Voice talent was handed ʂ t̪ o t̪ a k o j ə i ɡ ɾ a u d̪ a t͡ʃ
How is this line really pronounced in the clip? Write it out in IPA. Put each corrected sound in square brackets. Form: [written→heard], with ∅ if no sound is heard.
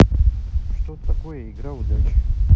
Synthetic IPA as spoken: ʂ t̪ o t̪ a k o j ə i ɡ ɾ a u d̪ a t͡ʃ